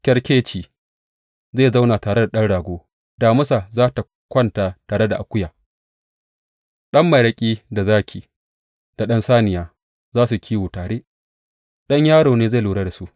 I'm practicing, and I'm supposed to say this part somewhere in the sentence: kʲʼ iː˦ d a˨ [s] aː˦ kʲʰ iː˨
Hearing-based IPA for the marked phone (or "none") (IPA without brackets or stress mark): z